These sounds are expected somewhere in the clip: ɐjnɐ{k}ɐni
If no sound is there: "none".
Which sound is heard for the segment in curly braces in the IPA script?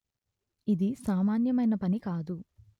p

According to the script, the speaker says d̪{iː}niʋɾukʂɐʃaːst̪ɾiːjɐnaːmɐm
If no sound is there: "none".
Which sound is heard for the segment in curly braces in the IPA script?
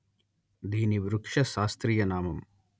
iː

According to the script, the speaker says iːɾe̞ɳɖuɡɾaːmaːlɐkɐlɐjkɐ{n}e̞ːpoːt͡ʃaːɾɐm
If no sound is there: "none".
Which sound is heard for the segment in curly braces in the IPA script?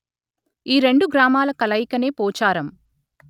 n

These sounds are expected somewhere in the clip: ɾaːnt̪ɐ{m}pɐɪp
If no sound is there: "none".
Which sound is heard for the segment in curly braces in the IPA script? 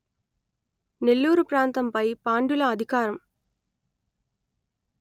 m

